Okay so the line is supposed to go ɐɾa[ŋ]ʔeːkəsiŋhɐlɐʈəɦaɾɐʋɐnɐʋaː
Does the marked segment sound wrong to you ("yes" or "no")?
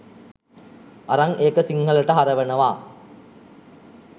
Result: no